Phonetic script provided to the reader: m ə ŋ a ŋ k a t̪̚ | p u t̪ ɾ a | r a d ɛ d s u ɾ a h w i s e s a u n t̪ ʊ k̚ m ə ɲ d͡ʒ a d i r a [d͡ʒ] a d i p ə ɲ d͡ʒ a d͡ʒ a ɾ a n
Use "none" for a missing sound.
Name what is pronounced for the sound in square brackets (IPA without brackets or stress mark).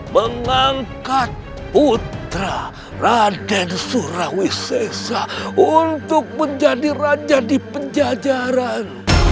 d͡ʒ